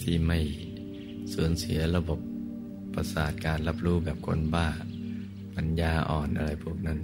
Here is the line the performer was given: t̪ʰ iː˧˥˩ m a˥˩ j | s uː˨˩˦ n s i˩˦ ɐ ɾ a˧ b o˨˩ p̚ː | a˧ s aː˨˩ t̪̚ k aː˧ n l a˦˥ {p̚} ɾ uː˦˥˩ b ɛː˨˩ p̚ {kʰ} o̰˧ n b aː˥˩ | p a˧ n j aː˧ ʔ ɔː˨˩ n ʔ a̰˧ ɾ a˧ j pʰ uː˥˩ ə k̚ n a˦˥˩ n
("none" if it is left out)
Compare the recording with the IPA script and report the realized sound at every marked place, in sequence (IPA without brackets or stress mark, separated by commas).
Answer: p̚, kʰ